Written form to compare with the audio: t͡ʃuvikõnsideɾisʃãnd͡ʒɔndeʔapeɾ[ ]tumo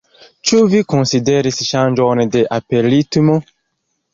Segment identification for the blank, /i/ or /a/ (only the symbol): i